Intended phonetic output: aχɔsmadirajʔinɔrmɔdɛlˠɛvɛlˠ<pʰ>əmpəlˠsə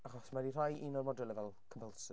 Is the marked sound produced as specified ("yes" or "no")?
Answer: no